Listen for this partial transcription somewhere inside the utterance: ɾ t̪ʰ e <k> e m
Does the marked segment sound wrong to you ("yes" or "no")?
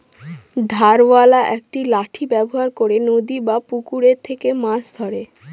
no